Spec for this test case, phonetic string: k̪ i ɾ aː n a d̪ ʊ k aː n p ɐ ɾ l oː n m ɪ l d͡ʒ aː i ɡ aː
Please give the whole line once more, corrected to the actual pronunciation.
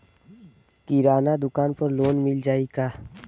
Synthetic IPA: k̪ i ɾ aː n a d̪ ʊ k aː n p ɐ ɾ l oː n m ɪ l d͡ʒ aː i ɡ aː

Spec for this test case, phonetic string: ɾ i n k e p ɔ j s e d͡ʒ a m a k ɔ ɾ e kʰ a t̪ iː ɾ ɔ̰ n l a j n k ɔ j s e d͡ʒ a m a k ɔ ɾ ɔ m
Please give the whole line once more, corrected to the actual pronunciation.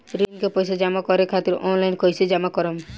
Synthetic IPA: ɾ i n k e p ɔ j s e d͡ʒ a m a k ɔ ɾ e kʰ a t̪ i ɾ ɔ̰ n l a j n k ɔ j s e d͡ʒ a m a k ɔ ɾ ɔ m

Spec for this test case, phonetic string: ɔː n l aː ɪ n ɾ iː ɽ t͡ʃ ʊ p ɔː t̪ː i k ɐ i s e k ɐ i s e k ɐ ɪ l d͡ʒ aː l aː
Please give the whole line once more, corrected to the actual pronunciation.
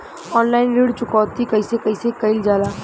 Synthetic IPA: ɔː n l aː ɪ n ɾ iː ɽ t͡ʃ ʊ k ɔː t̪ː i k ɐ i s e k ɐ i s e k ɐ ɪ l d͡ʒ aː l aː

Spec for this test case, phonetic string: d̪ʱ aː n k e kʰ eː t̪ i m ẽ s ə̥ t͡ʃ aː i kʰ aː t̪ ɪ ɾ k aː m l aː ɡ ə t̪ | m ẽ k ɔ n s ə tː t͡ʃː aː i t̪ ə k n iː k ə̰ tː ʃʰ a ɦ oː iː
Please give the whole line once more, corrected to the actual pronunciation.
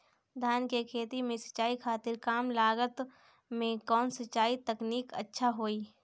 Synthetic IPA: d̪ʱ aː n k e kʰ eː t̪ i m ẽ s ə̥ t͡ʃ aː i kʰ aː t̪ ɪ ɾ k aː m l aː ɡ ə t̪ | m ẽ k ɔː n s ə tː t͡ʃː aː i t̪ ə k n iː k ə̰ tː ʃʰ a ɦ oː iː

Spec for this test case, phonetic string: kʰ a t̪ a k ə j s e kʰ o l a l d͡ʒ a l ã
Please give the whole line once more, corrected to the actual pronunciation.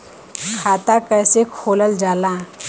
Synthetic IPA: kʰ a t̪ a k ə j s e kʰ o l ə l d͡ʒ a l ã

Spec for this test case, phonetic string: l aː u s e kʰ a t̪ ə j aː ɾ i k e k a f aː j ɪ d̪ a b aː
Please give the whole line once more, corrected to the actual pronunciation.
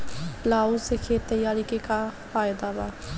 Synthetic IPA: l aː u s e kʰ e t̪ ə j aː ɾ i k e k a f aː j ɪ d̪ a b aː

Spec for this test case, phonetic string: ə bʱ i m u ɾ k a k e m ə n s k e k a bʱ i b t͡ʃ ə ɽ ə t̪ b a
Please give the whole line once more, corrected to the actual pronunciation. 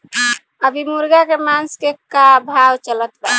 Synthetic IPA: ə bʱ i m u ɾ ɡ a k e m a n s k e k a bʱ a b t͡ʃ ə l ə t̪ b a

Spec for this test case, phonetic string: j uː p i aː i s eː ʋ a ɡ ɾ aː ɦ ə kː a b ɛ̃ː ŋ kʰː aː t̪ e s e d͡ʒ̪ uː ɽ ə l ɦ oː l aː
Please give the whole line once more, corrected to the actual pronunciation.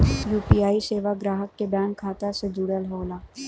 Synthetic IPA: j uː p i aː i s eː ʋ a ɡ ɾ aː ɦ ə kː e b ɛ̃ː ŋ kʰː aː t̪ a s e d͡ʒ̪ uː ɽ ə l ɦ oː l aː

